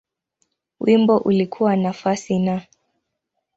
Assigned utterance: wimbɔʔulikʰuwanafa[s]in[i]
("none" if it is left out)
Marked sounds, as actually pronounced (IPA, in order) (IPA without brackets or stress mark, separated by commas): s, a